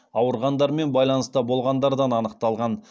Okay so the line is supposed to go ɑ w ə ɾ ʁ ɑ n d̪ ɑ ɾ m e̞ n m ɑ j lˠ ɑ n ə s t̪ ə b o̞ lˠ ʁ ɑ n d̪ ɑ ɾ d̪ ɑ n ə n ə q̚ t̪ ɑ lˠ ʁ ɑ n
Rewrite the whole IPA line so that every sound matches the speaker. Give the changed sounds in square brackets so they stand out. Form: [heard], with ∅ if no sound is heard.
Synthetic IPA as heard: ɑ w ə ɾ ʁ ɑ n d̪ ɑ ɾ m e̞ n [b] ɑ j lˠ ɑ n ə s t̪ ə b o̞ lˠ ʁ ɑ n d̪ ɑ ɾ d̪ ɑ n [ɑ] n ə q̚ t̪ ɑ lˠ ʁ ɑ n